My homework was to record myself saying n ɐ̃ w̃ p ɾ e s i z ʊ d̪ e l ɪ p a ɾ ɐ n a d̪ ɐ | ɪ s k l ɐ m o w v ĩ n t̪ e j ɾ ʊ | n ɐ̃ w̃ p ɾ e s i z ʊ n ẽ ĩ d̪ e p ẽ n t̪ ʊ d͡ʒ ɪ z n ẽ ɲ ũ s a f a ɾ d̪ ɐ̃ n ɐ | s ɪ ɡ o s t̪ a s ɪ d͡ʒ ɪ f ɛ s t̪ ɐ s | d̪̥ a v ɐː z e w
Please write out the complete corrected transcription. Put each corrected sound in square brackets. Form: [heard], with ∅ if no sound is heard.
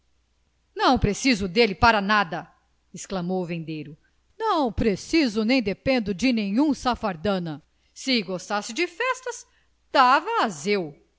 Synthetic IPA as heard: n ɐ̃ w̃ p ɾ e s i z ʊ d̪ e l ɪ p a ɾ ɐ n a d̪ ɐ | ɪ s k l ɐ m o w v [ẽ] n [d̪] e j ɾ ʊ | n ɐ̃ w̃ p ɾ e s i z ʊ n ẽ [j̃] d̪ e p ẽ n [d̪] ʊ d͡ʒ ɪ [∅] n ẽ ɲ ũ s a f a ɾ d̪ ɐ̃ n ɐ | s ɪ ɡ o s t̪ a s ɪ d͡ʒ ɪ f ɛ s t̪ ɐ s | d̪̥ a v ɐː z e w

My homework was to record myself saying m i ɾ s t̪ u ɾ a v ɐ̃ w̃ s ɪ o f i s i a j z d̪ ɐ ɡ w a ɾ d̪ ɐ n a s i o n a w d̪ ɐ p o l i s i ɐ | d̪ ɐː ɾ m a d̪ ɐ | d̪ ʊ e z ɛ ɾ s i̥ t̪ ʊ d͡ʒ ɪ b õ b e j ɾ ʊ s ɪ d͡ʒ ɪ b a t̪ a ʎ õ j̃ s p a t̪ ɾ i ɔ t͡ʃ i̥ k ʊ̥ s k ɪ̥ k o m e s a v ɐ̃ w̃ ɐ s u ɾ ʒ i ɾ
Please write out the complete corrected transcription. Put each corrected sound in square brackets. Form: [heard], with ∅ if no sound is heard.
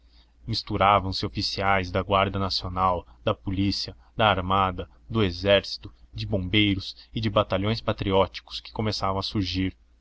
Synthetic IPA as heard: m i [∅] s t̪ u ɾ a v ɐ̃ w̃ s ɪ o f i s i a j z d̪ ɐ ɡ w a ɾ d̪ ɐ n a s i o n a w d̪ ɐ p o l i s i ɐ | d̪ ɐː ɾ m a d̪ ɐ | d̪ ʊ e z ɛ ɾ s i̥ t̪ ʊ d͡ʒ ɪ b õ b e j ɾ ʊ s ɪ d͡ʒ ɪ b a t̪ a ʎ õ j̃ s p a t̪ ɾ i ɔ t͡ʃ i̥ k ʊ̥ s k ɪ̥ k o m e s a v ɐ̃ w̃ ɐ s u ɾ ʒ i ɾ

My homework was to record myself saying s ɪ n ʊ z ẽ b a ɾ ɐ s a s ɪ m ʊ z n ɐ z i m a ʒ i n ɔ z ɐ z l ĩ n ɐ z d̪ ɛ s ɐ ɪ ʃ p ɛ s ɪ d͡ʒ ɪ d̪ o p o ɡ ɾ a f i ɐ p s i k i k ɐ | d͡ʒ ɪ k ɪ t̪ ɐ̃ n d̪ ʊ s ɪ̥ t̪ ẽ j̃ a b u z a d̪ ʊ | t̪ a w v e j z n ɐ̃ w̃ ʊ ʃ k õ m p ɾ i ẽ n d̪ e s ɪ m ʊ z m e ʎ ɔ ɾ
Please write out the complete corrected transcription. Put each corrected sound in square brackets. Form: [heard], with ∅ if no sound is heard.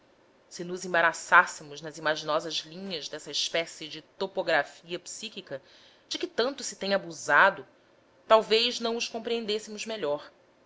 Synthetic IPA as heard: s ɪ n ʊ z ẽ b a ɾ [a] s a s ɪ m ʊ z n ɐ z i m a ʒ i n ɔ z ɐ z l ĩ [ɲ] ɐ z d̪ ɛ s ɐ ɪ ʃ p ɛ s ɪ d͡ʒ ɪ [t̪] o p o ɡ ɾ a f i ɐ p s i k i k ɐ | d͡ʒ ɪ k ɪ t̪ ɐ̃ n [t̪] ʊ s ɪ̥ t̪ ẽ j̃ a b u z a d̪ ʊ | t̪ a w v e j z n ɐ̃ w̃ ʊ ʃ k õ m p ɾ i ẽ n d̪ e s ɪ m ʊ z m e ʎ ɔ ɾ

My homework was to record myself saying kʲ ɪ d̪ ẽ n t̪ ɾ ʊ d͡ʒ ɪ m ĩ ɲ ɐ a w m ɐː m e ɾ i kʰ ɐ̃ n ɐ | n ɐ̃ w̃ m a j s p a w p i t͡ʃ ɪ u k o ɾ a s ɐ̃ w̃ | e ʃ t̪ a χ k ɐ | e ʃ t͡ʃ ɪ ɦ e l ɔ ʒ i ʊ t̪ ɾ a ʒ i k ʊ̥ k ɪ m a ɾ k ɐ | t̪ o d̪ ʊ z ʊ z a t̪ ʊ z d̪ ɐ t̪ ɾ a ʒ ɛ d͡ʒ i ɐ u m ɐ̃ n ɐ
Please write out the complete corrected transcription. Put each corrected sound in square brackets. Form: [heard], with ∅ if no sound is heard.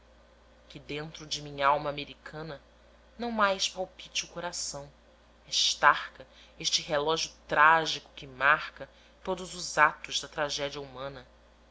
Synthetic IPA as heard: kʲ ɪ d̪ ẽ n t̪ ɾ ʊ d͡ʒ ɪ m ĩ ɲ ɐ a w m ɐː m e ɾ i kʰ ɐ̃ n ɐ | n ɐ̃ w̃ m a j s p a w p i t͡ʃ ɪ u k o ɾ a s ɐ̃ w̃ | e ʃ t̪ a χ k ɐ | e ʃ t͡ʃ ɪ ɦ e l ɔ ʒ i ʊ t̪ ɾ a ʒ i k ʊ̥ k ɪ m a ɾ k ɐ | t̪ o d̪ ʊ z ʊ z a t̪ ʊ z d̪ ɐ t̪ ɾ a ʒ ɛ d͡ʒ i ɐ u m ɐ̃ n ɐ

